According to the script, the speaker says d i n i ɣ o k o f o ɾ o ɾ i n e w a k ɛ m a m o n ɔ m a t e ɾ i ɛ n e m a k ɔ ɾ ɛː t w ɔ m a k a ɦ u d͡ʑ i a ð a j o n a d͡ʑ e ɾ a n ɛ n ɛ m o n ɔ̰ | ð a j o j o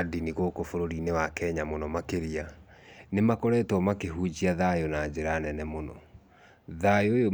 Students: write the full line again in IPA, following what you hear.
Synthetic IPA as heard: d i n i ɣ o k o f o ɾ o ɾ i n e w a k ɛ ɲ a m o n ɔ m a k e ɾ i a n e m a k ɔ ɾ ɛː t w ɔ m a k e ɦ u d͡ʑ i a ð a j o n a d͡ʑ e ɾ a n ɛ n ɛ m o n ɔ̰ | ð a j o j o